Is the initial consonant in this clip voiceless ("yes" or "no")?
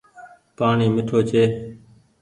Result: yes